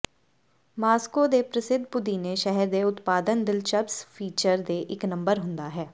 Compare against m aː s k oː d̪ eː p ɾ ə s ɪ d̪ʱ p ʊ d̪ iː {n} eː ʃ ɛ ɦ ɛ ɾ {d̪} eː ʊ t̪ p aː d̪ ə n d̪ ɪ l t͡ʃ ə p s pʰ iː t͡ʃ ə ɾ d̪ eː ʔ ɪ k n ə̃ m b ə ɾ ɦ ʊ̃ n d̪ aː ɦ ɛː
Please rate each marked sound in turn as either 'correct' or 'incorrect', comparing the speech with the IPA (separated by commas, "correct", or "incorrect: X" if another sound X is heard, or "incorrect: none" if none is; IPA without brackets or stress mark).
correct, correct